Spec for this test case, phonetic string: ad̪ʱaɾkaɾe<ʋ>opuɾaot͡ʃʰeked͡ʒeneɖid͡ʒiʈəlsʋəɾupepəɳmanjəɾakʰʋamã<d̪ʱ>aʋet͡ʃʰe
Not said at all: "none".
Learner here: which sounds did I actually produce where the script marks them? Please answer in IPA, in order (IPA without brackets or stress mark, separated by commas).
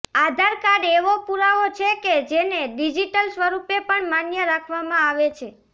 ʋ, none